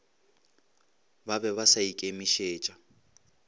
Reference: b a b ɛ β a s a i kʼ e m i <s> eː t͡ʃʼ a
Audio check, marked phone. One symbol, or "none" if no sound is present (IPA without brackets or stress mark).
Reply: ʃ